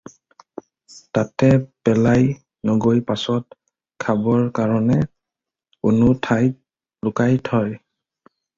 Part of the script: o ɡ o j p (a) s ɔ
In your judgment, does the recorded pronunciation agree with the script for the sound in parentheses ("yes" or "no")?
yes